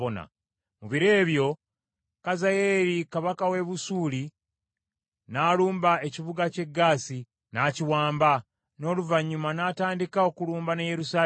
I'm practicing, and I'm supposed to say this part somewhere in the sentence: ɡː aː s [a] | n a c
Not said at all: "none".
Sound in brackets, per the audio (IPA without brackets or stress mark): i